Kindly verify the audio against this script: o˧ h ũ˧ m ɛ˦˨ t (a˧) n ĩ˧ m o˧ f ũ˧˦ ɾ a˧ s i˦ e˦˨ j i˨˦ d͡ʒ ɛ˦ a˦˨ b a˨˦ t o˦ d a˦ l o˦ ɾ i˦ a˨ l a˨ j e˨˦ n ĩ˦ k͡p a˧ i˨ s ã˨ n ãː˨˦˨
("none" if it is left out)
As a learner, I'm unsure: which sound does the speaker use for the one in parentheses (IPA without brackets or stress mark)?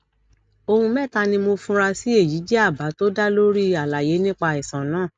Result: a˧